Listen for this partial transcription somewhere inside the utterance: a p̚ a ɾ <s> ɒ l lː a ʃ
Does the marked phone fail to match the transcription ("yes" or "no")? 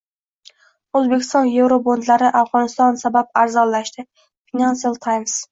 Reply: yes